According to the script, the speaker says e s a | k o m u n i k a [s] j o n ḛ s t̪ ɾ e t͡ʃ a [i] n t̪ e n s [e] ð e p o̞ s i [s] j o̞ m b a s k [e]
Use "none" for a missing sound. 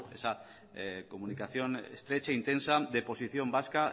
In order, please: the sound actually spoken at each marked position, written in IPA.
θ, i, a, θ, a

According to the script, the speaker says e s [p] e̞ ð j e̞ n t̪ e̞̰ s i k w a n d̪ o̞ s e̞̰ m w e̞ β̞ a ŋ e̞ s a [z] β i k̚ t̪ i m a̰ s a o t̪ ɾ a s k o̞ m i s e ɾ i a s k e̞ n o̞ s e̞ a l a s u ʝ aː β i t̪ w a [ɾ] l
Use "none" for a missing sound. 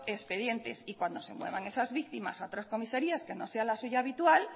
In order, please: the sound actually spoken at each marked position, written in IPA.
p, z, none

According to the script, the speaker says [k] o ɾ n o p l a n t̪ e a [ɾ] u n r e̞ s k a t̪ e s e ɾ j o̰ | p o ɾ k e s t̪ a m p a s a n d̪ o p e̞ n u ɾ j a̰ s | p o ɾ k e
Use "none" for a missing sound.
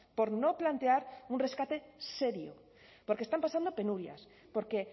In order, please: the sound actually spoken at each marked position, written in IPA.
p, ɾ

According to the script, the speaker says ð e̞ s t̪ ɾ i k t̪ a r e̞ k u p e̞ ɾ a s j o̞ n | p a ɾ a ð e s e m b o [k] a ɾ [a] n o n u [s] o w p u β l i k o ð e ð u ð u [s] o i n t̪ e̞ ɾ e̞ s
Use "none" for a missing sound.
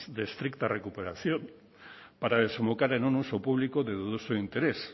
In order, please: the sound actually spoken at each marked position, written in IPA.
k, e, s, s

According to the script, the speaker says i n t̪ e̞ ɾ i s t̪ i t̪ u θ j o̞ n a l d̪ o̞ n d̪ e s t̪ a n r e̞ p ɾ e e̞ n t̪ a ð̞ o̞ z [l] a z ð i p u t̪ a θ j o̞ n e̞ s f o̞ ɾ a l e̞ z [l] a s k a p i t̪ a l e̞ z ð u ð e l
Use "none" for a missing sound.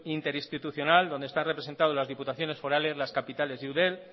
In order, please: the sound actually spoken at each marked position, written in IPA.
l, l

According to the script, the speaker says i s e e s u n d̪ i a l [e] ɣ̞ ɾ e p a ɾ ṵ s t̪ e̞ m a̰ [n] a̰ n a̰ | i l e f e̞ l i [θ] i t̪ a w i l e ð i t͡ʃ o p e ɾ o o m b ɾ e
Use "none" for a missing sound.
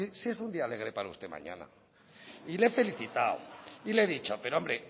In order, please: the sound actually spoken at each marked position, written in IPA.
e, ɲ, θ

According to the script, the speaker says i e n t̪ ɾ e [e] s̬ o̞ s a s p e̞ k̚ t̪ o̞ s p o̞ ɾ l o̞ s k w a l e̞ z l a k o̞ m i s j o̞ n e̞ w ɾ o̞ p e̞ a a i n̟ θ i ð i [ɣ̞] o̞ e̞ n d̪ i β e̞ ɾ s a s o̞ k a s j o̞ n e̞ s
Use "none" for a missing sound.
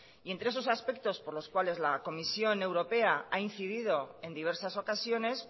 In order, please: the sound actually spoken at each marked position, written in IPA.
e, ð̞

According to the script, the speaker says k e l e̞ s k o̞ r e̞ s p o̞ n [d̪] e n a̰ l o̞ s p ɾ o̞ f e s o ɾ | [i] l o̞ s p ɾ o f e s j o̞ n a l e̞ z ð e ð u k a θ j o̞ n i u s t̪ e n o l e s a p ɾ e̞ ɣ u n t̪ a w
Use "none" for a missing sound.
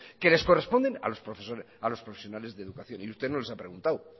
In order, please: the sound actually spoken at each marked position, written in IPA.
d̪, a

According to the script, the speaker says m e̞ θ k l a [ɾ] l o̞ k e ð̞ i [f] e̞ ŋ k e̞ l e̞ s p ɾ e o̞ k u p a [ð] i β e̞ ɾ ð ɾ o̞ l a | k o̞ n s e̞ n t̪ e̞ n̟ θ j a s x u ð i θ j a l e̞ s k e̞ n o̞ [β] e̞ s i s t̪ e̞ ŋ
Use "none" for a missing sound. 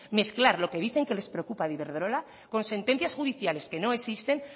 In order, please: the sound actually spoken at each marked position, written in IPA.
ɾ, θ, ð, none

